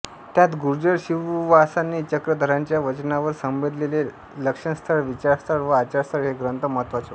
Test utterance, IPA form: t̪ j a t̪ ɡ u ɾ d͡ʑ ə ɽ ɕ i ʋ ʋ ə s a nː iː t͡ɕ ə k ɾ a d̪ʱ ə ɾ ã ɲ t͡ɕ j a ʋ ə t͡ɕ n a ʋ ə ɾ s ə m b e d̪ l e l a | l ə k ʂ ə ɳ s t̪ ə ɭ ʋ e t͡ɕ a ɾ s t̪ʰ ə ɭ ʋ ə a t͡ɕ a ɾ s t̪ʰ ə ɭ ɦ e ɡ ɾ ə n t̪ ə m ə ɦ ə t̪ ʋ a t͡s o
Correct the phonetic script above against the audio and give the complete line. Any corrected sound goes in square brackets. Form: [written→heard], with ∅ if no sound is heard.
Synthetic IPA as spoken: t̪ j a t̪ ɡ u ɾ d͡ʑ ə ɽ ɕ i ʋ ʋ [ə→a] s a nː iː t͡ɕ ə k ɾ [a→ə] d̪ʱ ə ɾ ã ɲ t͡ɕ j a ʋ ə t͡ɕ n a ʋ ə ɾ s ə m b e d̪ l e l [a→e] | l ə k ʂ ə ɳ s [t̪→t̪ʰ] ə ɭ ʋ [e→i] t͡ɕ a ɾ s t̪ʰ ə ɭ ʋ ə a t͡ɕ a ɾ s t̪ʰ ə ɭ ɦ e ɡ ɾ ə n t̪ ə m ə ɦ ə t̪ ʋ a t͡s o